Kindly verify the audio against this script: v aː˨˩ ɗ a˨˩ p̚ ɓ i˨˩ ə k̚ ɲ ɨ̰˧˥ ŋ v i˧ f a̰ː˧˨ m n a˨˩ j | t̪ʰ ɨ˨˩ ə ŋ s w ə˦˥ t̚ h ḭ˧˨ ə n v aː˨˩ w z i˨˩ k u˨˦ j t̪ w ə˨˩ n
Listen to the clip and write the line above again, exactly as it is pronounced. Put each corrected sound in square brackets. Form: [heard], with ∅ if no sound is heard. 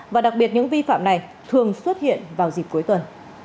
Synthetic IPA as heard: v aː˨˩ ɗ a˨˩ [k̚] ɓ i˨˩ ə [t̚] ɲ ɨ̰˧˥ ŋ v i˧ f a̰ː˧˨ m n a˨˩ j | t̪ʰ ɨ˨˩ ə ŋ s w ə˦˥ t̚ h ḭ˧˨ ə n v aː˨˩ w z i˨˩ k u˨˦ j t̪ w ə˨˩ n